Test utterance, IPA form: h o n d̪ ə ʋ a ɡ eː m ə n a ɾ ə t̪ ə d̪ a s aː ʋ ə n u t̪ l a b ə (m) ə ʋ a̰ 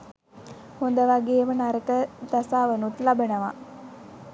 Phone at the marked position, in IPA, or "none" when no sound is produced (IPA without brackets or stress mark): n